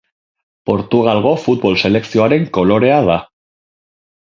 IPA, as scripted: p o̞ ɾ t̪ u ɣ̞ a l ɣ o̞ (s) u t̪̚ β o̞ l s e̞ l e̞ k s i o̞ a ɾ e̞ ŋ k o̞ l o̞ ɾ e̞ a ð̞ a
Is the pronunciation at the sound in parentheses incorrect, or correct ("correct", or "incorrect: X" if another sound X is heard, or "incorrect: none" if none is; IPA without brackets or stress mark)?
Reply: incorrect: f